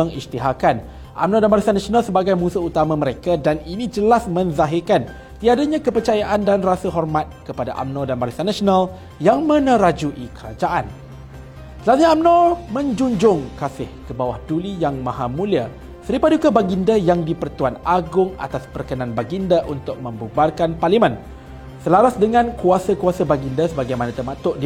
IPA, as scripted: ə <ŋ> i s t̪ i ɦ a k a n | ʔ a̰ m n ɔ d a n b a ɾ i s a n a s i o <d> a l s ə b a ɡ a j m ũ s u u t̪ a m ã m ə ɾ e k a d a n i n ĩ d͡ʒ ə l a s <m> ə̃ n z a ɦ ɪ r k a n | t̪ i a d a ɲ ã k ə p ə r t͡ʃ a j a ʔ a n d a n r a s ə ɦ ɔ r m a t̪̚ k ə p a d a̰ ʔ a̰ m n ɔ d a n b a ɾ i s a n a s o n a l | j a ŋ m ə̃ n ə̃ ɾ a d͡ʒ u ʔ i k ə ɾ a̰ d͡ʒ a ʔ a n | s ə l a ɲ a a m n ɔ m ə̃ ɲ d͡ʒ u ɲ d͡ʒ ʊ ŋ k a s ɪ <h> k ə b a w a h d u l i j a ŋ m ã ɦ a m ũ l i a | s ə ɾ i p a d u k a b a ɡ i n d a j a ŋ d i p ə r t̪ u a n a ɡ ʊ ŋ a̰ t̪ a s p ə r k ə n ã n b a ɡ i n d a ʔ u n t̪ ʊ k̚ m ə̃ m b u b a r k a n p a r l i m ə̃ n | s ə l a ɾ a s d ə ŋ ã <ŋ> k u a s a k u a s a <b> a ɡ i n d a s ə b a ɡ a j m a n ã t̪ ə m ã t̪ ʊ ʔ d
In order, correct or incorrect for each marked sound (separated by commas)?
correct, incorrect, correct, correct, incorrect, correct